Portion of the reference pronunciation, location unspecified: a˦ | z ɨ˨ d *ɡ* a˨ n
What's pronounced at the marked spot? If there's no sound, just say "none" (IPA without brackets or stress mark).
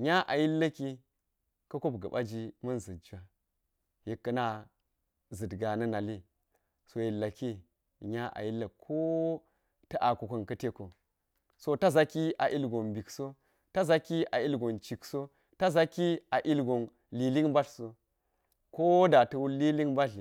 ɡ